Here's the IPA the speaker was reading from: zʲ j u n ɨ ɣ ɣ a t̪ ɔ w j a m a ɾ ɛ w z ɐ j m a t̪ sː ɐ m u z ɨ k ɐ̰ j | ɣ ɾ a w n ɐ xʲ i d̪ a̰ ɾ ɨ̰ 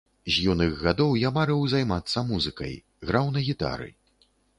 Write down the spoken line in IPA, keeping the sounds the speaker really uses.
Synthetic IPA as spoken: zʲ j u n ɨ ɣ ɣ a d̪ ɔ w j a m a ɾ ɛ w z a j m a t̪ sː ɐ m u z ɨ k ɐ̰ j | ɣ ɾ a w n ɐ ɣʲ i t̪ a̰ ɾ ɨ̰